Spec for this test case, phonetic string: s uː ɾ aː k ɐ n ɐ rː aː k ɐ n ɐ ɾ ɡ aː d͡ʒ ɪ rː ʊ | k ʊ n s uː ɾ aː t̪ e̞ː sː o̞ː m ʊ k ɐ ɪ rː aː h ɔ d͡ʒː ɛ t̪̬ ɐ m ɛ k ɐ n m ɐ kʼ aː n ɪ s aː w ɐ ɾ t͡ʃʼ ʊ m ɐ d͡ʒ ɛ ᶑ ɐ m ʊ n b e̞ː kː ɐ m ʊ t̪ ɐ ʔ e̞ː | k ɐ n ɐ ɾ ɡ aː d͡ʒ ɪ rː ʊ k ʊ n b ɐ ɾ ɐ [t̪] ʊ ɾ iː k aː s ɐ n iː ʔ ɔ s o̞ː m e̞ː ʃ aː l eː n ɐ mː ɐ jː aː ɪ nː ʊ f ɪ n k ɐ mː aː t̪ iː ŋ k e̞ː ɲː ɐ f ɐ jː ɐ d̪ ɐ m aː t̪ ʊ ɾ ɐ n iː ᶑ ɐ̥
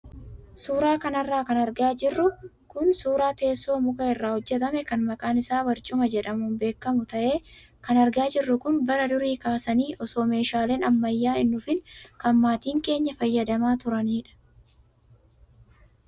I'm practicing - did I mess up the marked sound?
yes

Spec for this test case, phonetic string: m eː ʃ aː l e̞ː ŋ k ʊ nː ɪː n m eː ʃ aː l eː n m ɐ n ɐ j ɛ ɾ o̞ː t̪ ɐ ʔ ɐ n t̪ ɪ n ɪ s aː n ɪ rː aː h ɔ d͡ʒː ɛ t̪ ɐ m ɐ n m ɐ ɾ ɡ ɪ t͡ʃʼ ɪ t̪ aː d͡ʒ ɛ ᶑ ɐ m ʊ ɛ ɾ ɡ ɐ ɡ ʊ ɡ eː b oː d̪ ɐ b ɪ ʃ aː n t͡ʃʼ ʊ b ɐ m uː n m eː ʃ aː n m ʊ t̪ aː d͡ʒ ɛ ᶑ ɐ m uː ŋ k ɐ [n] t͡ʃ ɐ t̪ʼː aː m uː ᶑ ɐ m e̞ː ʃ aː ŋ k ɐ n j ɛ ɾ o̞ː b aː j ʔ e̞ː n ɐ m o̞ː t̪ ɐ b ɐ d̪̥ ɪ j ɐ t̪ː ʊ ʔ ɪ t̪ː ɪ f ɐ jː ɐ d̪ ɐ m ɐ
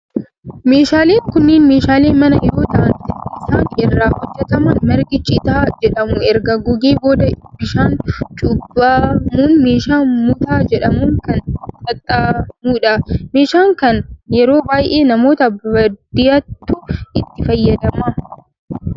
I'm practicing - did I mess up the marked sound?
no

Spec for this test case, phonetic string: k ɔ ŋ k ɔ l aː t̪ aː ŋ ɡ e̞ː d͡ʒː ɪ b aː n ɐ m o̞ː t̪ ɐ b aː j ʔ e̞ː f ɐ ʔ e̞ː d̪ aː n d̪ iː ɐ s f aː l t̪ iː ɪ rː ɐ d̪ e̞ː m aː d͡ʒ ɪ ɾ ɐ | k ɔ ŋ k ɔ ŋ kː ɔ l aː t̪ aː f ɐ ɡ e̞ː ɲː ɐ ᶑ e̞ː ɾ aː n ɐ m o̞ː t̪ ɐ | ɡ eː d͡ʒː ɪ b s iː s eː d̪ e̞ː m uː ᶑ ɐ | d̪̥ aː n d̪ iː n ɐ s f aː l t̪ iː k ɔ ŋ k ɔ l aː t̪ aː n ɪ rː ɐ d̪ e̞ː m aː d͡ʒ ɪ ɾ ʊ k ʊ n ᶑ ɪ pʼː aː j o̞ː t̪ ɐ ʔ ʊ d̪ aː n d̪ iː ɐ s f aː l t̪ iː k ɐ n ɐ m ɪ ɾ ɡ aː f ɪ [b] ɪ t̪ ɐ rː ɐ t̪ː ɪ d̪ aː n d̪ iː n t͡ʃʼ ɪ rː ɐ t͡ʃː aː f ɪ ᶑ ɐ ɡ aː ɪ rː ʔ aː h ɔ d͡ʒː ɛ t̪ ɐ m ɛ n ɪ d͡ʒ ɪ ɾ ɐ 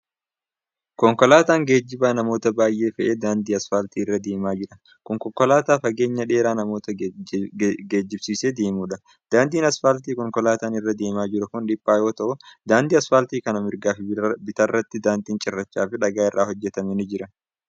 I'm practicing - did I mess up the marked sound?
no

